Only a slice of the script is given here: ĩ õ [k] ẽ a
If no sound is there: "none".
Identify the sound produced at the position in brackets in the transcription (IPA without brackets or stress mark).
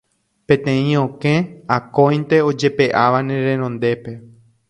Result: k